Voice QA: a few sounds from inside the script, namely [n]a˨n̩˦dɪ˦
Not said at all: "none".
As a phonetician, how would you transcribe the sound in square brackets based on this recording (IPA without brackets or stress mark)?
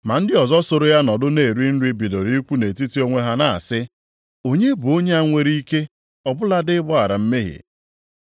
m